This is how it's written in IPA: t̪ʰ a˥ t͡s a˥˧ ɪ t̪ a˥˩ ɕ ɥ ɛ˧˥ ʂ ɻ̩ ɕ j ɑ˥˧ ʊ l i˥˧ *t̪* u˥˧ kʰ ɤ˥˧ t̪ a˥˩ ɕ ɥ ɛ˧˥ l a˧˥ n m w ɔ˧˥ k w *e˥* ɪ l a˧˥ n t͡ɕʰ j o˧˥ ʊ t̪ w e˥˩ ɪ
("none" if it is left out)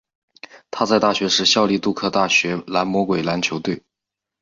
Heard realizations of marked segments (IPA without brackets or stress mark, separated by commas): t̪, e˨˩